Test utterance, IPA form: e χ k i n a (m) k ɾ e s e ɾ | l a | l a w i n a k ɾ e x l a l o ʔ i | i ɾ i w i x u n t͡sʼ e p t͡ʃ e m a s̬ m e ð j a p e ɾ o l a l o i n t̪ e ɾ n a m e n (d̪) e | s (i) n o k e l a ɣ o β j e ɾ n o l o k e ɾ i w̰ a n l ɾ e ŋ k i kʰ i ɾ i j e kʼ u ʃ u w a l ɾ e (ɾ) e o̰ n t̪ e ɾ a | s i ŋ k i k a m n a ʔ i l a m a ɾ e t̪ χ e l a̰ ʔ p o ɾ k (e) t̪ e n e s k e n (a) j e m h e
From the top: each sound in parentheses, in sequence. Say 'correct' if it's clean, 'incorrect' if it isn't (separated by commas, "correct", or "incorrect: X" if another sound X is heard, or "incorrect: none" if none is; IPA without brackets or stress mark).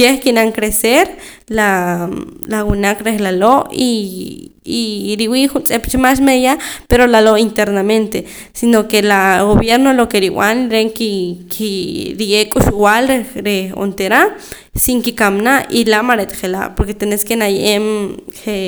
incorrect: ŋ, incorrect: t̪, correct, correct, correct, correct